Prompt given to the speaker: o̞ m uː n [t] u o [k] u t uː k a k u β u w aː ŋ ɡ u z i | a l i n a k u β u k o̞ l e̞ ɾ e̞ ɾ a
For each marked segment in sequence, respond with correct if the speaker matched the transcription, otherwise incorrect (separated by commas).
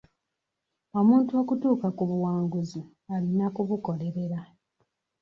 correct, correct